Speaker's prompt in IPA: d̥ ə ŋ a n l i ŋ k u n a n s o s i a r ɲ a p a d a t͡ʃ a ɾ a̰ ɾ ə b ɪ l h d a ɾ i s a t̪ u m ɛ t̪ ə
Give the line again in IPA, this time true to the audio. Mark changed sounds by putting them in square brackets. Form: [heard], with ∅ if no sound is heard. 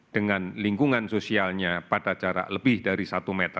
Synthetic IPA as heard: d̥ ə ŋ a n l i ŋ k u [ŋ] a n s o s i a [l] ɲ a p a d a t͡ʃ a ɾ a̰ [l] ə b ɪ [∅] h d a ɾ i s a t̪ u m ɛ t̪ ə